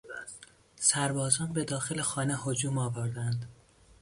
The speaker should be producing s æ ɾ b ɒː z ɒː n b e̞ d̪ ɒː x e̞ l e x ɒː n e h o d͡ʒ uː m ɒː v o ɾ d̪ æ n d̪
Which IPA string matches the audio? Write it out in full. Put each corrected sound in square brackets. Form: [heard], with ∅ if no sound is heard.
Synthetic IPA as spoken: s æ ɾ b ɒː z ɒː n b e̞ d̪ ɒː x e̞ l e x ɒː n e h o d͡ʒ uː m ɒː v o ɾ d̪ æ n d̪